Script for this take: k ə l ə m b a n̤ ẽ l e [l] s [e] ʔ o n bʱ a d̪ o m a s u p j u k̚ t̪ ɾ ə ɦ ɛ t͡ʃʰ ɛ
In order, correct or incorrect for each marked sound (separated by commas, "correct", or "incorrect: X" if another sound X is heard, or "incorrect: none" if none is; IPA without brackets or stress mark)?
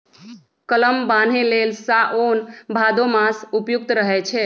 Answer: correct, incorrect: a